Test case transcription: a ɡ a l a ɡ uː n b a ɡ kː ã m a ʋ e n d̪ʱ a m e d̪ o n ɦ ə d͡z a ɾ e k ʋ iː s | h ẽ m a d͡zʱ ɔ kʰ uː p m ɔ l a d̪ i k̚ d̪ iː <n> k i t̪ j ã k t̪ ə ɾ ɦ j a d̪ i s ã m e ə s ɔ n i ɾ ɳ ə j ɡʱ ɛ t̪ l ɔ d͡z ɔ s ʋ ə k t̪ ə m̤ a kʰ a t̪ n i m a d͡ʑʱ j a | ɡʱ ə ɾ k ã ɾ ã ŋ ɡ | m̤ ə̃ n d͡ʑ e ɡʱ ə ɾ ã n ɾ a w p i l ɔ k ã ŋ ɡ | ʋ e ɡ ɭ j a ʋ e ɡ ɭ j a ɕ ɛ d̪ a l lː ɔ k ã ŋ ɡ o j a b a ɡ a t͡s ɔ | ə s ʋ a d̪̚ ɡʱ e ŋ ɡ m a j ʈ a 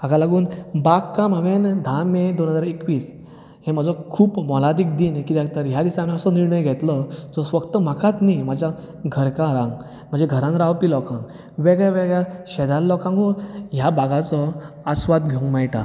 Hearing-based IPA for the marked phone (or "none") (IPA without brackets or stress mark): n